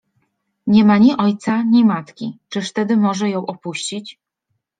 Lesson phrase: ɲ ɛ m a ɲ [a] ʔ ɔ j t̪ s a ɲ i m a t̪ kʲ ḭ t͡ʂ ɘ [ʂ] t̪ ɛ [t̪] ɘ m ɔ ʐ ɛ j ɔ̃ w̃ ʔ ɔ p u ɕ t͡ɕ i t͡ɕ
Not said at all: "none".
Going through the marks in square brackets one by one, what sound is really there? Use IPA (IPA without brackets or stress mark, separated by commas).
i, ʂ, d̪